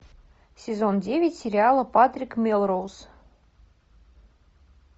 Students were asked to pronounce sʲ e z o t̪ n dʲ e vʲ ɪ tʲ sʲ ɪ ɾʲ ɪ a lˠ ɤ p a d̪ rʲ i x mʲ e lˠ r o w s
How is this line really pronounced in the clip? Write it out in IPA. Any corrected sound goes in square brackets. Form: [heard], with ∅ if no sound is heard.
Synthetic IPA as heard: sʲ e z o [∅] n dʲ e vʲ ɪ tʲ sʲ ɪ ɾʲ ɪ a lˠ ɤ p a [t̪] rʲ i [k] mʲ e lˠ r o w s